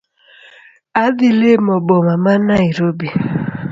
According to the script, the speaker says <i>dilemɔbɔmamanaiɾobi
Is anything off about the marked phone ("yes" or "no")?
yes